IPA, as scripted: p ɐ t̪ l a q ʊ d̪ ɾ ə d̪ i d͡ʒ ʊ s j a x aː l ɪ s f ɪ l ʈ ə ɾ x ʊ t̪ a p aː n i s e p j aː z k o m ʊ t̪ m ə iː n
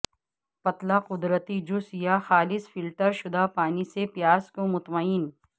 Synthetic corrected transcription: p ɐ t̪ l a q ʊ d̪ ɾ ə t̪ i d͡ʒ ʊ s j a x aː l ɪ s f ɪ l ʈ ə ɾ ʃ ʊ d̪ a p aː n i s e p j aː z k o m ʊ t̪ m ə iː n